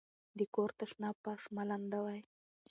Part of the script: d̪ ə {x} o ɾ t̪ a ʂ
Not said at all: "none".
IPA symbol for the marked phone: k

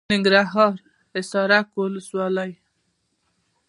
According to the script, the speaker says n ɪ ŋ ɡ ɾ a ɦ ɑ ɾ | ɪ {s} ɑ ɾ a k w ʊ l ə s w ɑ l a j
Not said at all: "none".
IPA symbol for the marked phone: s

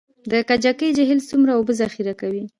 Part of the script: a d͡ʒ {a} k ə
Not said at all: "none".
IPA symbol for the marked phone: a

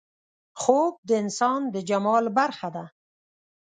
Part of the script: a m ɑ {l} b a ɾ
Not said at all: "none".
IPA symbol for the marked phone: l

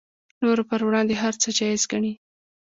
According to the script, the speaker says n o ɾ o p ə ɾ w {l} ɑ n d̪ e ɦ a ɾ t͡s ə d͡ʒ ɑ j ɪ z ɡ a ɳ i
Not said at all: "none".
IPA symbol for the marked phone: ɽ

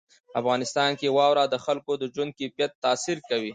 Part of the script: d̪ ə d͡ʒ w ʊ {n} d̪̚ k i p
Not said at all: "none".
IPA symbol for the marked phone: n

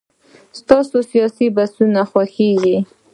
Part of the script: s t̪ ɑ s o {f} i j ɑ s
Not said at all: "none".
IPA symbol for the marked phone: s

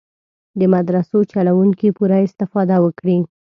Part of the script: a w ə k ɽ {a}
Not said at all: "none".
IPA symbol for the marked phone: i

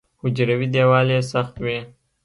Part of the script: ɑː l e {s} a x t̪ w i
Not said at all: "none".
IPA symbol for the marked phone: s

